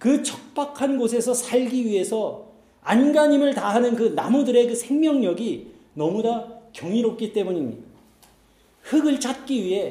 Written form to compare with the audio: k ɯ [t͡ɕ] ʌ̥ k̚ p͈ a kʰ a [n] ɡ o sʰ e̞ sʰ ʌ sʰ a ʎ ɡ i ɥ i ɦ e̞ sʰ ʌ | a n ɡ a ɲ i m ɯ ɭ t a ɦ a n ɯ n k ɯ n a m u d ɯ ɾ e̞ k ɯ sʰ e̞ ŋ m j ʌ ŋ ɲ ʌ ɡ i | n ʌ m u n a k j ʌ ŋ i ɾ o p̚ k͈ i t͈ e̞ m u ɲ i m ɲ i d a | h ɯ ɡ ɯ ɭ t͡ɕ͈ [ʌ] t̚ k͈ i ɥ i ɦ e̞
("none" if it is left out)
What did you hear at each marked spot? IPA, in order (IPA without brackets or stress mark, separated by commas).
t͡ɕʰ, n, a